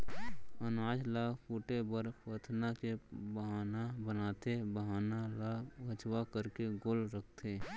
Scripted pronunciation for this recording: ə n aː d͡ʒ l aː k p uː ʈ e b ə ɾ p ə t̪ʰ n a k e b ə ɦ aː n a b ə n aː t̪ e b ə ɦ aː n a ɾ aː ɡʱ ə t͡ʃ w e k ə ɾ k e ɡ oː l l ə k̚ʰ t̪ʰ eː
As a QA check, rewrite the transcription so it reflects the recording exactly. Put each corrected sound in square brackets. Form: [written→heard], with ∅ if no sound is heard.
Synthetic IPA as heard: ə n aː d͡ʒ l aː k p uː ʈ e b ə ɾ p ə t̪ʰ n a k e b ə ɦ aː n a b ə n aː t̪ e b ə ɦ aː n a [ɾ→l] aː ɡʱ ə t͡ʃ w [e→a] k ə ɾ k e ɡ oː l [l→ɾ] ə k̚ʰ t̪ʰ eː